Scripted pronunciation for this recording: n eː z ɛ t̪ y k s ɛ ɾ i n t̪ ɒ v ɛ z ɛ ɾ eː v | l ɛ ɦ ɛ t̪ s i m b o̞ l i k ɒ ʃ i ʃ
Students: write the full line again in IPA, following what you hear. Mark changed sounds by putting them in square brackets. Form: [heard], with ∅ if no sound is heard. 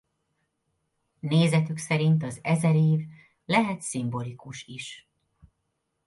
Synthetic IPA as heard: n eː z ɛ t̪ y k s ɛ ɾ i n t̪ ɒ [z] ɛ z ɛ ɾ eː v | l ɛ ɦ ɛ t̪ s i m b o̞ l i k [u] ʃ i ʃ